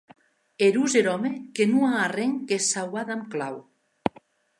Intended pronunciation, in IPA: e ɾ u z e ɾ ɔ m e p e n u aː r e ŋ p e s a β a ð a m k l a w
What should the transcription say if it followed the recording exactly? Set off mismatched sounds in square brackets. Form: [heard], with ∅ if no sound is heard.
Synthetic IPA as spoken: e ɾ u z e ɾ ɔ m e [k] e n u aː r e ŋ [k] e s a [w] a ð a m k l a w

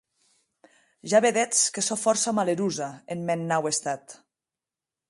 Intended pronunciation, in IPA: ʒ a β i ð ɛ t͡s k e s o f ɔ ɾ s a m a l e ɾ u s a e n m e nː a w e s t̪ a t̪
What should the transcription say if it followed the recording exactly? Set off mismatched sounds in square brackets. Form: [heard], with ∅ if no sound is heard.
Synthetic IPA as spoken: ʒ a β [e] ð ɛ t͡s k e s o f ɔ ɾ s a m a l e ɾ u [z] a e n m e nː a w e s t̪ a t̪

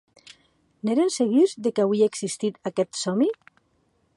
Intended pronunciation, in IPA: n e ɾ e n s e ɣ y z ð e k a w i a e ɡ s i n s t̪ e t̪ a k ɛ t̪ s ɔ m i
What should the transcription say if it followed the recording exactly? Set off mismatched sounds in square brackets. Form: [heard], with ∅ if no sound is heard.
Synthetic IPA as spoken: n e ɾ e n s e ɣ [i] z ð e k a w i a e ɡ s i [∅] s t̪ [i] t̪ a k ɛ t̪ s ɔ m i

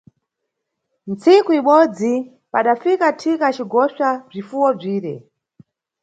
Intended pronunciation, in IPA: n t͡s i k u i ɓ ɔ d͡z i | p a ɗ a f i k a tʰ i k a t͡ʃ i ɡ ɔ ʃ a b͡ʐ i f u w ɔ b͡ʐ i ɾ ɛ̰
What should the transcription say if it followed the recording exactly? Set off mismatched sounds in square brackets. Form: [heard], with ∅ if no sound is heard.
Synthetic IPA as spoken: n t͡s i k u i ɓ ɔ d͡z i | p a ɗ a f i k a tʰ i k a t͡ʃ i ɡ ɔ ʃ a b͡ʐ i f u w ɔ b͡ʐ [iː] ɾ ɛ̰

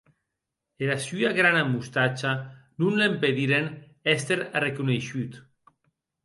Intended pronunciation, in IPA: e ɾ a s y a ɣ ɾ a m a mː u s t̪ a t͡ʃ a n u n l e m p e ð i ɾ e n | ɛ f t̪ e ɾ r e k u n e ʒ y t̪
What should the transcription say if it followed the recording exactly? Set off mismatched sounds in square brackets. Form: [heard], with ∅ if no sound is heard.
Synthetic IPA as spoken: e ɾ a s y a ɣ ɾ a [n] a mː u s t̪ a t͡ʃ a n u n l e m p e ð i ɾ e n | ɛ [s] t̪ e ɾ r e k u n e [ʃ] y t̪

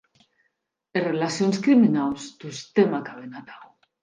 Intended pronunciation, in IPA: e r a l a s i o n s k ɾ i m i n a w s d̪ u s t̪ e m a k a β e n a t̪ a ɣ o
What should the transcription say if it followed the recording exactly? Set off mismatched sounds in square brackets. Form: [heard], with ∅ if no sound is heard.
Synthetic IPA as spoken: e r [e] l a s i o n s k ɾ i m i n a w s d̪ u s t̪ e m a k a β e n a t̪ a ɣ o

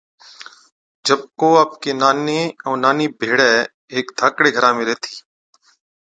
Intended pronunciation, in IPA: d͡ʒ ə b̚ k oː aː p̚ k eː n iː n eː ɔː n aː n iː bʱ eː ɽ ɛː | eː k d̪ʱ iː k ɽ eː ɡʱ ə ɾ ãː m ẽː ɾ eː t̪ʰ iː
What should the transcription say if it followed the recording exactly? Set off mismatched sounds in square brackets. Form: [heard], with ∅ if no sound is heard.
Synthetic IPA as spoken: d͡ʒ ə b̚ k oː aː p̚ k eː n [aː] n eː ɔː n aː n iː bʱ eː ɽ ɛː | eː k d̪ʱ [aː] k ɽ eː ɡʱ ə ɾ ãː m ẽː ɾ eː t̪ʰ iː

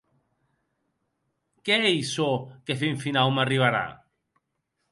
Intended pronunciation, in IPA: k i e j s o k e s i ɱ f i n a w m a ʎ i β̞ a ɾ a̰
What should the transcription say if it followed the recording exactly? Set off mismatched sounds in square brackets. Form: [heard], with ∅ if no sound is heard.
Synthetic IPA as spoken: k [e] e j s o k e [f] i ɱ f i n a w m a [r] i β̞ a ɾ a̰

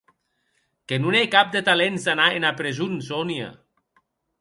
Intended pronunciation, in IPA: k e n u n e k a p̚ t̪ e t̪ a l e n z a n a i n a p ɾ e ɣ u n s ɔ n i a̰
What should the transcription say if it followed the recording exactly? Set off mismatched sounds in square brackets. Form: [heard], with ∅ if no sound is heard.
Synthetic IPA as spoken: k e n u n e k a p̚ [d̪] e t̪ a l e n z a n a [e] n a p ɾ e [z] u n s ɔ n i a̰

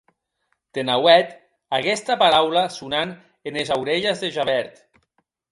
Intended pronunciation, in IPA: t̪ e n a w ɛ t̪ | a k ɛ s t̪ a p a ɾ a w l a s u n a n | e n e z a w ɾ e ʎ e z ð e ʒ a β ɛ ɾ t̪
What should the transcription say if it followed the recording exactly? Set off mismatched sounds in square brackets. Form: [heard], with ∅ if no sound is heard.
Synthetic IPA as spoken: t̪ e n a w ɛ t̪ | a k ɛ s t̪ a p a ɾ a w l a s u n a n | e n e z a w ɾ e ʎ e z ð e ʒ a β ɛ ɾ t̪

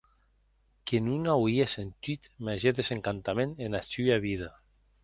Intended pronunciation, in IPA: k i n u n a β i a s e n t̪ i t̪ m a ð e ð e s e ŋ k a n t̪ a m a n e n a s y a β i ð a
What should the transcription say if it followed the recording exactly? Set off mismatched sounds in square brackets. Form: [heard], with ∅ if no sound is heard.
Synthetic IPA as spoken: k [e] n u n a [w] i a s e n t̪ i t̪ m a [ʒ] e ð e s e ŋ k a n t̪ a m [e] n e n a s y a β i ð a

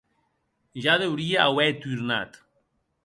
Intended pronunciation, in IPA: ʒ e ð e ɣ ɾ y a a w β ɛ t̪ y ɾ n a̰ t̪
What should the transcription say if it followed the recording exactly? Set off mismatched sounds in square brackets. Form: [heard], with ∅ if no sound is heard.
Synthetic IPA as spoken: ʒ [a] ð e [w] ɾ [i] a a w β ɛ t̪ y ɾ n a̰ t̪

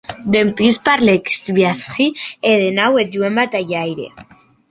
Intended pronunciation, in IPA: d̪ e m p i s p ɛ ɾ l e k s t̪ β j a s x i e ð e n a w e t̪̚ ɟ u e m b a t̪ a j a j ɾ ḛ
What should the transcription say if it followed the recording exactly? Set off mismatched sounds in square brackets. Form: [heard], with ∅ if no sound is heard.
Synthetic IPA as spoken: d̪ e m p i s p [a] ɾ l e k s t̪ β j a s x i e ð e n a w e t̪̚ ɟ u e m b a t̪ a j a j ɾ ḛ

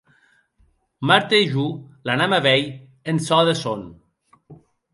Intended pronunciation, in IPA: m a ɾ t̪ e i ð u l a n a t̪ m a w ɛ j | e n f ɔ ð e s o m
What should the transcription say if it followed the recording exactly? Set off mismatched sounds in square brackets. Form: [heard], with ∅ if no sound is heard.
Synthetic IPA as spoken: m a ɾ t̪ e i [ʒ] u l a n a [∅] m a [β] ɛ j | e n [s] ɔ ð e s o [n]

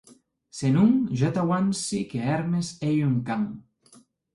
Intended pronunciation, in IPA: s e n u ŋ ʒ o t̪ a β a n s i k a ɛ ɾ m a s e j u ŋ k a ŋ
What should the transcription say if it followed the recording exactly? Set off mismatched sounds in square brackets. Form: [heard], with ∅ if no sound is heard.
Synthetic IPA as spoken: s e n u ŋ ʒ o t̪ a [w] a n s i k [e] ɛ ɾ m [e] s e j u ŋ k a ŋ

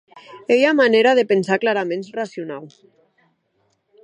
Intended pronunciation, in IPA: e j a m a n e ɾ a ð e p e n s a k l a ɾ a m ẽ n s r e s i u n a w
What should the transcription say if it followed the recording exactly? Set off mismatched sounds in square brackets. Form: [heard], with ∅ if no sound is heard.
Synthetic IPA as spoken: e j a m a n e ɾ a ð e p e n s a k l a ɾ a m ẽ n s r [a] s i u n a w

